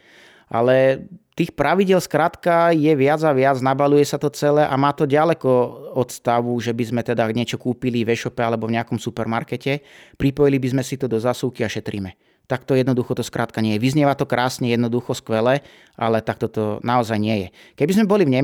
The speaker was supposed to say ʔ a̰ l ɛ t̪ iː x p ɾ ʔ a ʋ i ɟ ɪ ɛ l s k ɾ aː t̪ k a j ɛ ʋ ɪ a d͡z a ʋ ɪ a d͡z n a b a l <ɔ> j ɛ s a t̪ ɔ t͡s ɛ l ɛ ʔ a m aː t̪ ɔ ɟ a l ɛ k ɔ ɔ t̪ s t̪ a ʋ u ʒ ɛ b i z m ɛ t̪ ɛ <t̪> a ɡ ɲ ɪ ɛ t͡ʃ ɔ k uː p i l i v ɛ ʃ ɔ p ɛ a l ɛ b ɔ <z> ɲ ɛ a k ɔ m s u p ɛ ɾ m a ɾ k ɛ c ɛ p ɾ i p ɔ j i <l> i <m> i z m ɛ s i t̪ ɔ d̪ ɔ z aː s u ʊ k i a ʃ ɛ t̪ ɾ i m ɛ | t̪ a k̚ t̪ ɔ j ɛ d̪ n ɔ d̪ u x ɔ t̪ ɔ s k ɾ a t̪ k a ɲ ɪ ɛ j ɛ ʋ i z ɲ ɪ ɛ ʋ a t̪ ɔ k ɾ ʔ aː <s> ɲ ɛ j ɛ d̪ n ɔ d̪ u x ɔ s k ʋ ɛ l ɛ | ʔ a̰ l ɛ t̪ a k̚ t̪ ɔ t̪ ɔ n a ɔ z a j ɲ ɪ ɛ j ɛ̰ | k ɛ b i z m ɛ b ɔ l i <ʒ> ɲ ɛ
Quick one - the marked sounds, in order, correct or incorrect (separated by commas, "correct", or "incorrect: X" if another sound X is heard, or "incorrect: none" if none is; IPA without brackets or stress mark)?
incorrect: u, incorrect: d̪, incorrect: v, correct, incorrect: b, correct, incorrect: v